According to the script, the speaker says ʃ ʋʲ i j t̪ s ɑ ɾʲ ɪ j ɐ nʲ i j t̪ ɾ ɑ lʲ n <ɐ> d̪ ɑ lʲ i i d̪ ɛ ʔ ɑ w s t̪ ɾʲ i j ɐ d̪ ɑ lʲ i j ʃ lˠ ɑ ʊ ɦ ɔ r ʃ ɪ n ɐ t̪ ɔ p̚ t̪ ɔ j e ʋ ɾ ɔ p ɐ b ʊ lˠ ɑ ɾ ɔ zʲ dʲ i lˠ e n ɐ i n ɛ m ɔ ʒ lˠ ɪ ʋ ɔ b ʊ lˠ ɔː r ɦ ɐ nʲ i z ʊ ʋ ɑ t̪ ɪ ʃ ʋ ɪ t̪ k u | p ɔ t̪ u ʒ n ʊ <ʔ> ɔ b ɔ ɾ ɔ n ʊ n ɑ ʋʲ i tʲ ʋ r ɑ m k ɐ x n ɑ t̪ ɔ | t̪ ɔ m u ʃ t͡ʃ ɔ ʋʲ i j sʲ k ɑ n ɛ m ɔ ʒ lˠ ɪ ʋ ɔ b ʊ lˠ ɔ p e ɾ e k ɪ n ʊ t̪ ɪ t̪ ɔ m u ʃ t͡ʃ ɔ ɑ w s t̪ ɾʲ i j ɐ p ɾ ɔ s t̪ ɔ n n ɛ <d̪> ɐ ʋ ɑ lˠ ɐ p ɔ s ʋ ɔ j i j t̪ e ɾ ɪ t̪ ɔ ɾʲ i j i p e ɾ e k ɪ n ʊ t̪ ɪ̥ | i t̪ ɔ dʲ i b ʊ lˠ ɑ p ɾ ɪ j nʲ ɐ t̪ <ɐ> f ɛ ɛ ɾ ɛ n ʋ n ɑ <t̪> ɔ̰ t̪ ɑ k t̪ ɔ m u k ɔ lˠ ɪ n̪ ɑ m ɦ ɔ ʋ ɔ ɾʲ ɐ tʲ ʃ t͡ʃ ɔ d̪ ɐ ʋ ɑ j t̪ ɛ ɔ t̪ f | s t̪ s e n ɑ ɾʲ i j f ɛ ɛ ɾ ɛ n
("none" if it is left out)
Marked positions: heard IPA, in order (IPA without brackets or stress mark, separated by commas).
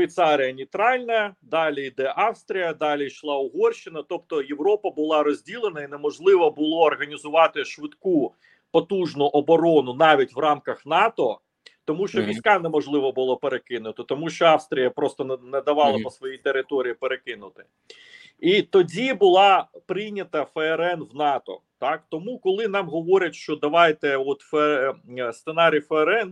ɐ, ʔ, d̪, ɐ, t̪